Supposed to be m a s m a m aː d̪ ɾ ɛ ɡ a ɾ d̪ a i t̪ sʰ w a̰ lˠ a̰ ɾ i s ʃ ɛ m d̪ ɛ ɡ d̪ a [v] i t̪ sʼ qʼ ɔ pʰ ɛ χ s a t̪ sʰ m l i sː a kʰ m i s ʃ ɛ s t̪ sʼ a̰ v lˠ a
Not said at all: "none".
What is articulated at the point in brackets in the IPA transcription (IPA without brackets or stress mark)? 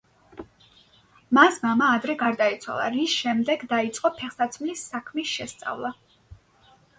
none